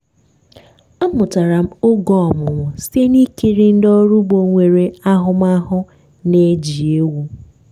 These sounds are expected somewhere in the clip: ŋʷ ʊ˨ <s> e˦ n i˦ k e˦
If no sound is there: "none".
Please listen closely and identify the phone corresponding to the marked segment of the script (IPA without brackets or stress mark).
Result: s